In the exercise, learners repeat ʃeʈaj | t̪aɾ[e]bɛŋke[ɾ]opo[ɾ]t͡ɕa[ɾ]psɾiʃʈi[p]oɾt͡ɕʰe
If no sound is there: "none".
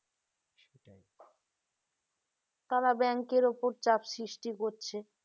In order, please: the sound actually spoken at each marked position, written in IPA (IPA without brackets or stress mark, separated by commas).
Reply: a, ɾ, ɾ, none, k